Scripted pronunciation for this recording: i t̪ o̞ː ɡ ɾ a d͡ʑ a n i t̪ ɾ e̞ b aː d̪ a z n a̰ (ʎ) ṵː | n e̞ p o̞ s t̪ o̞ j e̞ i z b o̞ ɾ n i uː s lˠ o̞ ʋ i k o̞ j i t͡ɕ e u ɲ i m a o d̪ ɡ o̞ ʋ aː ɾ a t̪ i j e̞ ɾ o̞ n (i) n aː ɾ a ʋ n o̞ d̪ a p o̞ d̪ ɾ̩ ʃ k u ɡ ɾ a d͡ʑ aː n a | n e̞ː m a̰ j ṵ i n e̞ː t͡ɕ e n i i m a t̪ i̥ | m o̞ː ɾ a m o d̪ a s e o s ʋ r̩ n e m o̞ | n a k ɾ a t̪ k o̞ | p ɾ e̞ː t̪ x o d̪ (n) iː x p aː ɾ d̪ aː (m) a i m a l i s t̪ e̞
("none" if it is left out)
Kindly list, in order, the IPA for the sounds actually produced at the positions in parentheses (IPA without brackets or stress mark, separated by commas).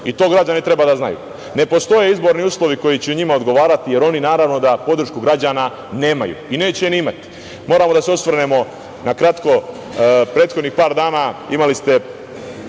j, i, n, n